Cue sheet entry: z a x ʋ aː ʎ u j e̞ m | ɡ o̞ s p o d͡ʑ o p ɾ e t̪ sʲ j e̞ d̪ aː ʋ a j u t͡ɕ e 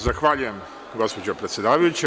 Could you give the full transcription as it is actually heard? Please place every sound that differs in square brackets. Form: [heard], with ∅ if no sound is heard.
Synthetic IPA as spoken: z a x ʋ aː ʎ u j e̞ m | ɡ o̞ s p o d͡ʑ o p ɾ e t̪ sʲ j e̞ d̪ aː ʋ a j u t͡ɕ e